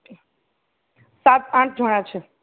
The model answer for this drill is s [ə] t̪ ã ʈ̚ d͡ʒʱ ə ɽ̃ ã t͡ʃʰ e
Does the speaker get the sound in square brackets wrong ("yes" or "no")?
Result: yes